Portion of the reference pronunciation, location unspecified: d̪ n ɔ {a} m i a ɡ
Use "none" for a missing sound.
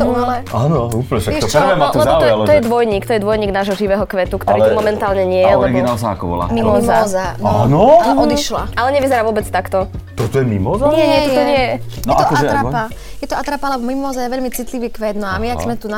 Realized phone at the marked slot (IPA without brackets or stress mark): a